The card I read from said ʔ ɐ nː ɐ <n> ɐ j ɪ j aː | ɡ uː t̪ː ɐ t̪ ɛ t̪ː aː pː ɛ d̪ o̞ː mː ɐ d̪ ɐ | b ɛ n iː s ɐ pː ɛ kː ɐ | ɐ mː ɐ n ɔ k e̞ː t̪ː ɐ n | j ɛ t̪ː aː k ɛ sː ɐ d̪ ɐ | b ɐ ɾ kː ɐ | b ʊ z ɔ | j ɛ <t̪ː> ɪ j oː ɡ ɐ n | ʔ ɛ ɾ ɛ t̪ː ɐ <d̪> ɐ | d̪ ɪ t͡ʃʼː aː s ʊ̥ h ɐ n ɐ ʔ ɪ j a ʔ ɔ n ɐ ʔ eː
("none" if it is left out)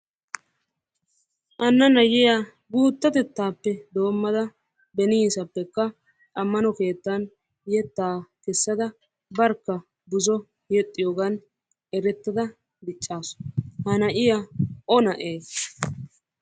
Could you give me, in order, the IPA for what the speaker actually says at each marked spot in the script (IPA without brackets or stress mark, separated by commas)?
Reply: n, t̪ʼː, d̪